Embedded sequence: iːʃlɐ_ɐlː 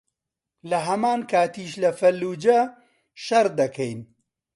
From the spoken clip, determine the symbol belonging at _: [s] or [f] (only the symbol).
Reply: f